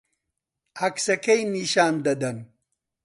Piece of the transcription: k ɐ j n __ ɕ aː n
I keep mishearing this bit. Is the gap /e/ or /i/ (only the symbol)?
i